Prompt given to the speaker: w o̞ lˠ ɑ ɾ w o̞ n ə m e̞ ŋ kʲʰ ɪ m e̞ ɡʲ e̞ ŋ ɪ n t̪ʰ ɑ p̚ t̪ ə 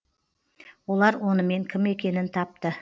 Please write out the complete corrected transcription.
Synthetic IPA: w o̞ lˠ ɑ ɾ w o̞ n ə m e̞ ŋ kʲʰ ɪ m e̞ kʲ e̞ n ɪ n t̪ʰ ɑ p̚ t̪ ə